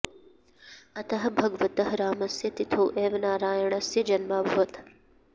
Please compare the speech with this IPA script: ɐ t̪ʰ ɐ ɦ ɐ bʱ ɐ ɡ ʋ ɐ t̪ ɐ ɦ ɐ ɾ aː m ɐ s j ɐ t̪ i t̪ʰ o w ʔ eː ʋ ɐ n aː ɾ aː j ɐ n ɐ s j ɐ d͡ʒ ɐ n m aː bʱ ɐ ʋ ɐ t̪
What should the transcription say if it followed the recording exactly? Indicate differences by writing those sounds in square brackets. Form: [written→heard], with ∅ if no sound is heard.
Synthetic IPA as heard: ɐ [t̪ʰ→t̪] ɐ ɦ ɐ bʱ ɐ ɡ ʋ ɐ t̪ ɐ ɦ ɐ ɾ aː m ɐ s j ɐ t̪ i t̪ʰ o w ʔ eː ʋ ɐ n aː ɾ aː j ɐ [n→ɳ] ɐ s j ɐ d͡ʒ ɐ n m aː bʱ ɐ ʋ ɐ t̪